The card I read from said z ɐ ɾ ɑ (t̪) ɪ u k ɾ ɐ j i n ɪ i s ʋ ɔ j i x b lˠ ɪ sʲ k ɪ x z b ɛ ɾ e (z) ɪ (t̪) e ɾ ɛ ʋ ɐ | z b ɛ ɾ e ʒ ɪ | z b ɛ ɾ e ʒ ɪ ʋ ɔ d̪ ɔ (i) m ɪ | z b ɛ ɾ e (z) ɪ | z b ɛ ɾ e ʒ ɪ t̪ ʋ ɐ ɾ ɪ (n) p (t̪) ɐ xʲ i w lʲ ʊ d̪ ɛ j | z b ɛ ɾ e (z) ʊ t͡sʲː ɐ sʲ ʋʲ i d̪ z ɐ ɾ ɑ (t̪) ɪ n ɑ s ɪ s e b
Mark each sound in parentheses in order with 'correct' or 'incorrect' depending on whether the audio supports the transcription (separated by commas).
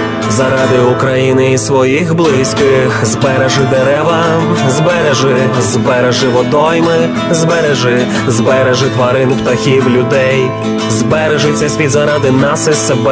incorrect, incorrect, incorrect, incorrect, incorrect, correct, correct, incorrect, incorrect